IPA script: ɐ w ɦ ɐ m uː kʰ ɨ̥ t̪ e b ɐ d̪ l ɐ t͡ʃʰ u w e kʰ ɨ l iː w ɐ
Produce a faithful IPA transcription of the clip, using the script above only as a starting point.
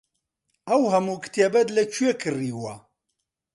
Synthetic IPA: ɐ w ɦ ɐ m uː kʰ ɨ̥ t̪ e b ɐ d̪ l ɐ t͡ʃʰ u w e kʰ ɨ r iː w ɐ